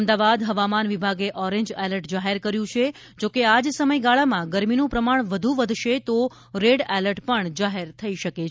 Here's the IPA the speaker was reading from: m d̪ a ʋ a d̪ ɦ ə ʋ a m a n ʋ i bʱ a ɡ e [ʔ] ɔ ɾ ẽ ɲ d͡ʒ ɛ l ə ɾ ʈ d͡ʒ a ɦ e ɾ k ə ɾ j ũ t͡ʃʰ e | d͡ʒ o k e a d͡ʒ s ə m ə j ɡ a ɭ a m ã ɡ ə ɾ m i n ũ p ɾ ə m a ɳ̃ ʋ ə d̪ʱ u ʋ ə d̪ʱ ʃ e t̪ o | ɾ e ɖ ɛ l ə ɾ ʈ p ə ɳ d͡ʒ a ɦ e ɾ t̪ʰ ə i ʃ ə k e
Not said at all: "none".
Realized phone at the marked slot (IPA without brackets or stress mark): ʔ